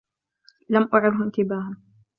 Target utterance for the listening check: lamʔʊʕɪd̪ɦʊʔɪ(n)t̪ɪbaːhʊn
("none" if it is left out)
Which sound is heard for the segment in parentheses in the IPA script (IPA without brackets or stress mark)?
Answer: n